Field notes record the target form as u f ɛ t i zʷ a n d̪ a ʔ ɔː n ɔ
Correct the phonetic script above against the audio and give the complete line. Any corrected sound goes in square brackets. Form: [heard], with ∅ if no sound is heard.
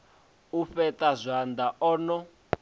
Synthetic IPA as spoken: u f ɛ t [a] zʷ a n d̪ a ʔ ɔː n ɔ